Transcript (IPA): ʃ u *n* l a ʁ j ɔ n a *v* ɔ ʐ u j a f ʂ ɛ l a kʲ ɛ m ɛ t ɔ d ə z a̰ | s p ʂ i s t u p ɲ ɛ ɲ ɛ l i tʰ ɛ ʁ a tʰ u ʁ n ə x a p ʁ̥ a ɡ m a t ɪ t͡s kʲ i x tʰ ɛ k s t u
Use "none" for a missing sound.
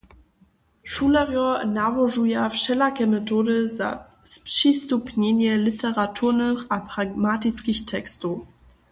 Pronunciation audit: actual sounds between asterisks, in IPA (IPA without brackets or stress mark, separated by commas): none, v